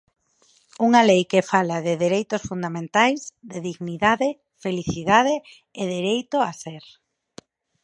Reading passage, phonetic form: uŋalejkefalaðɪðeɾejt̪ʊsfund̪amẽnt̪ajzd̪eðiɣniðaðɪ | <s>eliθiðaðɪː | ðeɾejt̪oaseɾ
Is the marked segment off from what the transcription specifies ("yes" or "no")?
yes